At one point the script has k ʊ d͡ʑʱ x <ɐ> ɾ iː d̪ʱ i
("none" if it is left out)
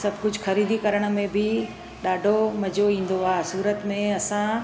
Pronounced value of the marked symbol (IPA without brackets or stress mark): ɐ